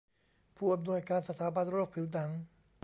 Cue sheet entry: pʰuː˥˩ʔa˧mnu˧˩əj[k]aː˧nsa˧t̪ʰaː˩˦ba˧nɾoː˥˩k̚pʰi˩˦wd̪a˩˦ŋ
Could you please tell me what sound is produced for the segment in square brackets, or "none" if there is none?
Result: k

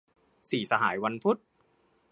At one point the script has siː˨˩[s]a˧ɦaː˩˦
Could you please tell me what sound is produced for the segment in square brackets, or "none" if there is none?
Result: s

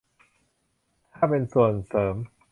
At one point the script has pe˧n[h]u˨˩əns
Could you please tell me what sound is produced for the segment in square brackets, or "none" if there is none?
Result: s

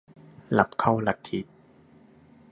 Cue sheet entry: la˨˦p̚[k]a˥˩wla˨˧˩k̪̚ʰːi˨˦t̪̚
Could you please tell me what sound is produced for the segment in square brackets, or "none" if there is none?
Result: kʰ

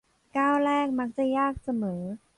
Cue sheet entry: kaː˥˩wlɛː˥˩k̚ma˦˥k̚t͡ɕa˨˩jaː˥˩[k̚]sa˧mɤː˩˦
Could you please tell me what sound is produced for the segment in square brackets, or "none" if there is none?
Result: k̚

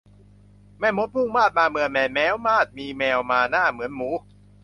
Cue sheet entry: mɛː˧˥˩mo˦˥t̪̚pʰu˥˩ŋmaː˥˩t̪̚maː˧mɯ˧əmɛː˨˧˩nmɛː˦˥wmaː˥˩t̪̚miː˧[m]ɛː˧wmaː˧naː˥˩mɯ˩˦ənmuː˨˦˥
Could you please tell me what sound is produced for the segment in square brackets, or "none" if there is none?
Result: m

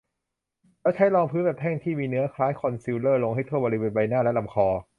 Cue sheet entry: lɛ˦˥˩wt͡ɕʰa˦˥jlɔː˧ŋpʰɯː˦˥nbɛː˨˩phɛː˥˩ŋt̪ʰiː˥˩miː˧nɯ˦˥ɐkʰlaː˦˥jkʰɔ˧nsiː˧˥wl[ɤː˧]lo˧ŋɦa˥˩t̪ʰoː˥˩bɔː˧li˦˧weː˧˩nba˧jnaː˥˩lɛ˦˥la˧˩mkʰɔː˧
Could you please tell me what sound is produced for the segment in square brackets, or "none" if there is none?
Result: ɤː˥˩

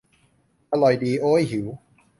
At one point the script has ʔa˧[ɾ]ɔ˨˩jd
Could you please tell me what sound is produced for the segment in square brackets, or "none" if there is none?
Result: l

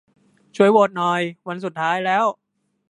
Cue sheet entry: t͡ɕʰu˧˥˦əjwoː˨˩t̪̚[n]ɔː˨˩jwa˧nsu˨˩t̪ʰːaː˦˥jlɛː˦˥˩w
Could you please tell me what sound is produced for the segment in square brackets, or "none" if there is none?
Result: n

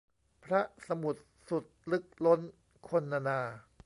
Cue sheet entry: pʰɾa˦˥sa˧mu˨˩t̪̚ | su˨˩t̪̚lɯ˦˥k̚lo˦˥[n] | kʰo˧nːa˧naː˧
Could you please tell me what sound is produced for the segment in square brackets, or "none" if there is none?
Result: n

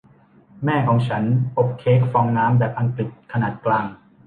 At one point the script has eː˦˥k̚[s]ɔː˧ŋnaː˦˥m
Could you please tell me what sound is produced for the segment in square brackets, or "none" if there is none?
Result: f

